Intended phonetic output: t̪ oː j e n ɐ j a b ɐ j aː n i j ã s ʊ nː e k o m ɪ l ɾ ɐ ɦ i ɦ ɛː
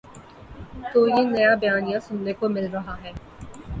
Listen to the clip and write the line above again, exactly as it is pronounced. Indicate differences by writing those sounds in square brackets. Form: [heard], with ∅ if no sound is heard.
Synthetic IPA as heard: t̪ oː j e n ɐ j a b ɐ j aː n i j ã s ʊ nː e k o m ɪ l ɾ ɐ ɦ [a] ɦ ɛː